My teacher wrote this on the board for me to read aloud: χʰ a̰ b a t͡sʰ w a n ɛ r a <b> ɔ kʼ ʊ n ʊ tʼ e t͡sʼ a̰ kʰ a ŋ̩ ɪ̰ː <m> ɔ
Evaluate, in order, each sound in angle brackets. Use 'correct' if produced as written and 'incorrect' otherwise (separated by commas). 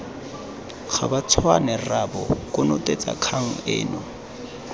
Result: correct, incorrect